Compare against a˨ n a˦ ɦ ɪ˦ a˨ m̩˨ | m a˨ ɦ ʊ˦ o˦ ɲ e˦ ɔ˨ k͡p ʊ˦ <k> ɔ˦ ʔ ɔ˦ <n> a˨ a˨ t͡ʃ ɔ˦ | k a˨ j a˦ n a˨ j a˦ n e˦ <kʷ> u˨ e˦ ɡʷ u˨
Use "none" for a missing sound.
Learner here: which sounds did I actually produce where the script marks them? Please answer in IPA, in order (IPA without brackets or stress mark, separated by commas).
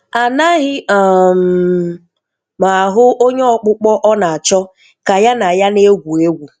k͡p, n, ɡʷ